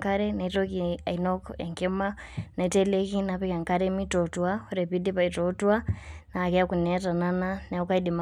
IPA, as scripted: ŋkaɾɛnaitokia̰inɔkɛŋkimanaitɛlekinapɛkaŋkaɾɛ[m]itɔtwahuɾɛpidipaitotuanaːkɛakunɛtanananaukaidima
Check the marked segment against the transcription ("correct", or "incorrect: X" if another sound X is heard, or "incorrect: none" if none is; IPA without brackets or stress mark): correct